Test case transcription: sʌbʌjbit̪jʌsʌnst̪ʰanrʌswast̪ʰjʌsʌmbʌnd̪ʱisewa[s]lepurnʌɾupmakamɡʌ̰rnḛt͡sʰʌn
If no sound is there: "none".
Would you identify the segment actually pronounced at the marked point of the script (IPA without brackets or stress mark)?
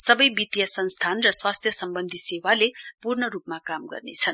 none